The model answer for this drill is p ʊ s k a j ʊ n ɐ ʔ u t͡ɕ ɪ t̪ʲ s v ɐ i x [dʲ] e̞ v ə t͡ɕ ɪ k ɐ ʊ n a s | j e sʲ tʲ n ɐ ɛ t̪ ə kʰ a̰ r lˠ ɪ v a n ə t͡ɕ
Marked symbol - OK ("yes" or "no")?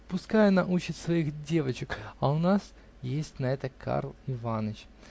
yes